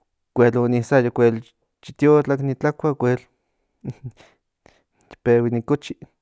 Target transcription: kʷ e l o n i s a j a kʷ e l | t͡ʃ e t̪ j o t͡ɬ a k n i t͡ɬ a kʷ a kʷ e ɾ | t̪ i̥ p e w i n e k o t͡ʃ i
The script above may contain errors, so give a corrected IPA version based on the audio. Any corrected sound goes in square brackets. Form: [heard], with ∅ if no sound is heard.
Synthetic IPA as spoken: kʷ e l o n i s a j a kʷ e l | t͡ʃ [i] t̪ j o t͡ɬ a k n i t͡ɬ a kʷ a kʷ e [l] | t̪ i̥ p e w i n [i] k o t͡ʃ i

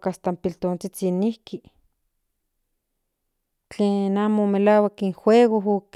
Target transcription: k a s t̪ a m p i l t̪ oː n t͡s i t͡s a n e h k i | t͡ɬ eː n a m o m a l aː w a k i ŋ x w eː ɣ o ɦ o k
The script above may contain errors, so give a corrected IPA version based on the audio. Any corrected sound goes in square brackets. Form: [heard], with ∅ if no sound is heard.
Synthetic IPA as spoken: k a s t̪ a m p i l t̪ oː n t͡s i t͡s [i] n [i] h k i | t͡ɬ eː n a m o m [e] l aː w a k i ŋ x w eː ɣ o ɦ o k

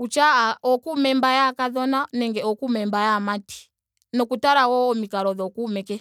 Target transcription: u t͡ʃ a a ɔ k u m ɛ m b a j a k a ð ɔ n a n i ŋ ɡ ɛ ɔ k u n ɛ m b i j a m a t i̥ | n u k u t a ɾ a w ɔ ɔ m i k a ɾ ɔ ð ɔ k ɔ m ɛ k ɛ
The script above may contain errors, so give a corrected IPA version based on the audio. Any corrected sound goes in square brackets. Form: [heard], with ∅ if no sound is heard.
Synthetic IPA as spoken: u t͡ʃ a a ɔ k u m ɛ m b a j a k a ð ɔ n a n [ɛ] ŋ ɡ ɛ ɔ k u [m] ɛ m b [a] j a m a t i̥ | n [ɔ] k u t a ɾ a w ɔ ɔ m i k a ɾ ɔ ð ɔ k [u] m ɛ k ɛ

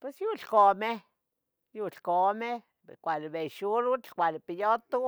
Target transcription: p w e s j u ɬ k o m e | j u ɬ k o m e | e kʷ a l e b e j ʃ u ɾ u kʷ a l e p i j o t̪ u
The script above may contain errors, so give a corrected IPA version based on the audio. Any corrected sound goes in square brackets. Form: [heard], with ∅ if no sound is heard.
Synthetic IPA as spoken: p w e s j u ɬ k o m e | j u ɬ k o m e | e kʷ a l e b e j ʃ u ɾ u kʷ a l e p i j o t̪ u

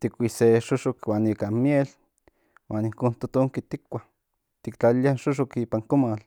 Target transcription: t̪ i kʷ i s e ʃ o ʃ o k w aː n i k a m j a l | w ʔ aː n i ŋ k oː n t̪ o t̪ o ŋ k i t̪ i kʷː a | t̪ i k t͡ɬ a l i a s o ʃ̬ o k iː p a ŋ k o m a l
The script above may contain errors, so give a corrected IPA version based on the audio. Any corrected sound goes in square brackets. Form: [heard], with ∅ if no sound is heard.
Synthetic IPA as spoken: t̪ i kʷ i s e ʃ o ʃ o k w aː n i k a m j [e] l | w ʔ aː n i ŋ k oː n t̪ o t̪ o ŋ k i t̪ i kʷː a | t̪ i k t͡ɬ a l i a [ʃ] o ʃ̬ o k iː p a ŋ k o m a l

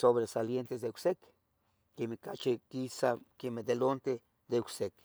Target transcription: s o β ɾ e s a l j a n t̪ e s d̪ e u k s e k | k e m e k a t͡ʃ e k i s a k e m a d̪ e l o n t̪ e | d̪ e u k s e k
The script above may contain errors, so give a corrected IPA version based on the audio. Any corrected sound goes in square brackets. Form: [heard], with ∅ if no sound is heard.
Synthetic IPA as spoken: s o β ɾ e s a l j [e] n t̪ e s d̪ e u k s e k | k e m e k a t͡ʃ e k i s a k e m [e] d̪ e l o n t̪ e | d̪ e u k s e k

